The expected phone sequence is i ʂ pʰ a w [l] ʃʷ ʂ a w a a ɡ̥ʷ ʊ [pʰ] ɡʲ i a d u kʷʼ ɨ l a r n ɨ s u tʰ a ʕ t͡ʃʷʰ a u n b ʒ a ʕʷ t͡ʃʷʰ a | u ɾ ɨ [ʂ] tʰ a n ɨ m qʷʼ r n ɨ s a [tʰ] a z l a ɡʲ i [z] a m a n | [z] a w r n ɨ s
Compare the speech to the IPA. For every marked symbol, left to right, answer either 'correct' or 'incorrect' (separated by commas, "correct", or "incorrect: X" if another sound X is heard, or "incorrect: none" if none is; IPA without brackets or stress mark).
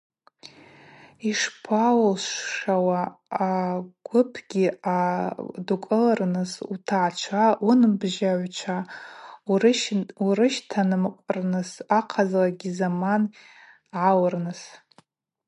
correct, correct, incorrect: ʃ, incorrect: qʰ, correct, incorrect: ʕ